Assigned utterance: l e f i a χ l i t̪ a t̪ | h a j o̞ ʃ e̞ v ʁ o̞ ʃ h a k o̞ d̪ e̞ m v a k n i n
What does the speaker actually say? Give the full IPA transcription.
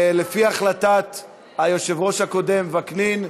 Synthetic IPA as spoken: l e f i a χ l a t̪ a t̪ | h a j o̞ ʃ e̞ v ʁ o̞ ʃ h a k o̞ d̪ e̞ m v a k n i n